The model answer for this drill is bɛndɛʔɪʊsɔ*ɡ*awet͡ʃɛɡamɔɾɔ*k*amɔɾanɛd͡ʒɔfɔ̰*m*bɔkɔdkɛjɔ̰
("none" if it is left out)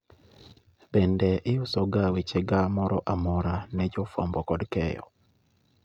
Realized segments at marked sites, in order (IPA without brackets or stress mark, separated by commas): ɡ, ʔ, m